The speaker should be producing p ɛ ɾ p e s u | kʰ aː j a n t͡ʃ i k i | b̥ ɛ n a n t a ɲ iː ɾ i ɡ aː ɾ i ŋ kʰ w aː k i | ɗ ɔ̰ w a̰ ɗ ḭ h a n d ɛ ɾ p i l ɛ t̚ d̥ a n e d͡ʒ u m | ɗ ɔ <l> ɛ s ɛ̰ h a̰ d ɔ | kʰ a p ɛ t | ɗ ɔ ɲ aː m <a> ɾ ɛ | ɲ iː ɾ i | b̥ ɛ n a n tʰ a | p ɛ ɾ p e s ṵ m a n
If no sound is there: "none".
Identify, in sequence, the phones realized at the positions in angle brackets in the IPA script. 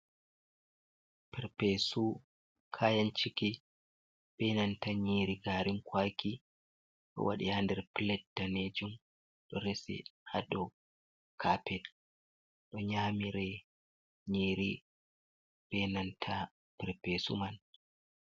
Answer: ɾ, i

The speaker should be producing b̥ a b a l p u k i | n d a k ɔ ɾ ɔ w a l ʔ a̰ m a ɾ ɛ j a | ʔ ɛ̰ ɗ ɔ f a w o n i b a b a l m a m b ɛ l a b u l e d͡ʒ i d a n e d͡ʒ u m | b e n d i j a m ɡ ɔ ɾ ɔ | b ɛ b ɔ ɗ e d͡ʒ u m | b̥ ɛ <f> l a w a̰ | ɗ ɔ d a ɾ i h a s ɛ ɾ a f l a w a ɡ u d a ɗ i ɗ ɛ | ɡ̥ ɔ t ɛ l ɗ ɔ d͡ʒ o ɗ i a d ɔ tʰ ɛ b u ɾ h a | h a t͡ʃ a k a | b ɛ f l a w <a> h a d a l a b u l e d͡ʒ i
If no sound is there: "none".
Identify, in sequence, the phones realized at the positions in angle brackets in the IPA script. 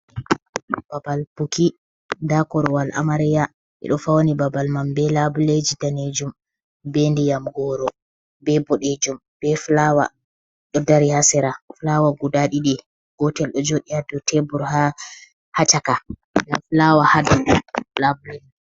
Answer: f, a

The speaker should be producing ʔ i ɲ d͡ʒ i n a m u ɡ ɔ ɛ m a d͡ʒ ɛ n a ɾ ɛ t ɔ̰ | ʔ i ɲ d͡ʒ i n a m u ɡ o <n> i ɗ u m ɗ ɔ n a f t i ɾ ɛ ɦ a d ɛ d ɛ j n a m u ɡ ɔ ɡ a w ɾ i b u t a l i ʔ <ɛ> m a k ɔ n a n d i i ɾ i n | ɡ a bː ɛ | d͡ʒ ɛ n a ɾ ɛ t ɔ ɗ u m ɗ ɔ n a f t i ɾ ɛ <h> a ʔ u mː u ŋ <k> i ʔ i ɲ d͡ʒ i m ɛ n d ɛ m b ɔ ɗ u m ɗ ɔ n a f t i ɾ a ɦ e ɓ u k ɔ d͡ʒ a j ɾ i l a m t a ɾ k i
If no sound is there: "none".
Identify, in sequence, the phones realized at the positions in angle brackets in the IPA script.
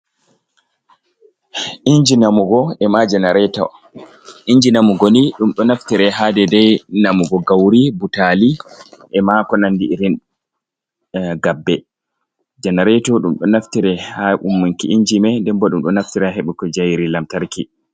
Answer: n, ɛ, h, k

